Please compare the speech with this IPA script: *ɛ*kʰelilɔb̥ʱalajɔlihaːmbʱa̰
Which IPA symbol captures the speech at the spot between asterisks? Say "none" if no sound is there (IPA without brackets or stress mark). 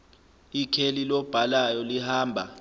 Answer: i